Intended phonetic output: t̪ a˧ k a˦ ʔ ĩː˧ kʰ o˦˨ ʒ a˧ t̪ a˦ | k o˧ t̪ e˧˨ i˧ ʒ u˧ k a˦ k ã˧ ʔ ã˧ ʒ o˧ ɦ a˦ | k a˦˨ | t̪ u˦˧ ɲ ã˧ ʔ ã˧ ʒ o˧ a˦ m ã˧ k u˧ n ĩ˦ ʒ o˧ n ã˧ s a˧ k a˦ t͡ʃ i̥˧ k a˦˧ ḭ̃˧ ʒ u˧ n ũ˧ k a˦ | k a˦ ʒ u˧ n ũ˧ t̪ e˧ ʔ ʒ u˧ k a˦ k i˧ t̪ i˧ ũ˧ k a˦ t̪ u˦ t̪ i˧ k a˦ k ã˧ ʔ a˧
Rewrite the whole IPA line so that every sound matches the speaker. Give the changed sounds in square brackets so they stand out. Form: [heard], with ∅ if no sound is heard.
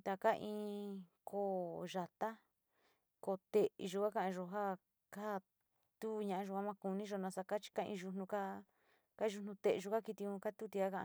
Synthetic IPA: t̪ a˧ k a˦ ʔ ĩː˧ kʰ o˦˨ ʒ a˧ t̪ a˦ | k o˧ t̪ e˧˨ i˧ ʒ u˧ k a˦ k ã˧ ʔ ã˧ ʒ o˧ ɦ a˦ | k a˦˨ | t̪ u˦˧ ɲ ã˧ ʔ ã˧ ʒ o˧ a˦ m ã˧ k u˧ n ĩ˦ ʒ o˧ n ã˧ s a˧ k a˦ t͡ʃ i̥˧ k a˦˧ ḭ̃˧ ʒ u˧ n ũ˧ k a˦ | k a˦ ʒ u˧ n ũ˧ t̪ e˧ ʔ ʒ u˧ k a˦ k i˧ t̪ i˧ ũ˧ k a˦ t̪ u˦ t̪ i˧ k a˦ k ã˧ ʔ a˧